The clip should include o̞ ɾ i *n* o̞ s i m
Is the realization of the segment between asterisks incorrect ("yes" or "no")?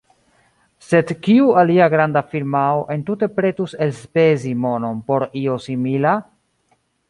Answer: yes